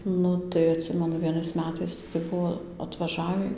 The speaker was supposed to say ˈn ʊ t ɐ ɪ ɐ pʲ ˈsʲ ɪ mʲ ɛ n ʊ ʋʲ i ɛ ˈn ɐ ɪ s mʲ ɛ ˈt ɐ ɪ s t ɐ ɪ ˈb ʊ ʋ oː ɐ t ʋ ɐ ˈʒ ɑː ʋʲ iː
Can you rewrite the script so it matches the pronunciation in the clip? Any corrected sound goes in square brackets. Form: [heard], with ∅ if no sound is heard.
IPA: ˈn ʊ t ɐ ɪ ɐ [tʲ] ˈsʲ ɪ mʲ ɛ n ʊ ʋʲ i ɛ ˈn ɐ ɪ s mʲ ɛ ˈt ɐ ɪ s t ɐ ɪ ˈb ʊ ʋ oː ɐ t ʋ ɐ ˈʒ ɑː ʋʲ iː